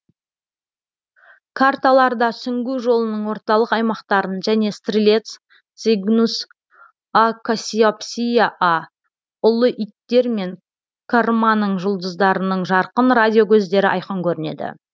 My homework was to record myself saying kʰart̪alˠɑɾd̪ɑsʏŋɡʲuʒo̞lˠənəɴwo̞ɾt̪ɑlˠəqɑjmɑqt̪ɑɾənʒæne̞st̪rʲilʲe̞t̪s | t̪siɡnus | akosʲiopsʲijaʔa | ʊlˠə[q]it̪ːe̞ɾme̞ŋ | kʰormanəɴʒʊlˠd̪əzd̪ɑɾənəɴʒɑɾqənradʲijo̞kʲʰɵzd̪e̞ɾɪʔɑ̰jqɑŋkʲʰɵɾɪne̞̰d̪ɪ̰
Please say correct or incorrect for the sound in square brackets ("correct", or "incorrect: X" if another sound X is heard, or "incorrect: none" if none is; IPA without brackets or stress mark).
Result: incorrect: ʔ